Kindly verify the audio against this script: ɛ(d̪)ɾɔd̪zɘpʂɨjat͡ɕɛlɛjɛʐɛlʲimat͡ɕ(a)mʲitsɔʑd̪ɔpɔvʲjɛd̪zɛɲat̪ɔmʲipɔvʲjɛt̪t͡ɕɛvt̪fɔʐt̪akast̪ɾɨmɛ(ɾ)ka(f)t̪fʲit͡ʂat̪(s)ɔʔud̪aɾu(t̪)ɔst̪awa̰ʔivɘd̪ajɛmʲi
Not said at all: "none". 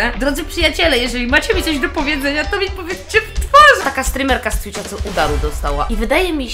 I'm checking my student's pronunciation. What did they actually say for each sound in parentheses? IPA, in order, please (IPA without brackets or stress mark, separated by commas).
d̪, ɛ, ɾ, s, s, d̪